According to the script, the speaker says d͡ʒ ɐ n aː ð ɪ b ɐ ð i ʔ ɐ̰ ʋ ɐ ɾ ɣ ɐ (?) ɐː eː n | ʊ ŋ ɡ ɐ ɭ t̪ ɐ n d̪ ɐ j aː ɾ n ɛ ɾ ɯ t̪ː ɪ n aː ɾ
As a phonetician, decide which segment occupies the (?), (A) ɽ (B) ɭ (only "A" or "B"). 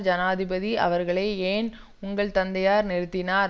B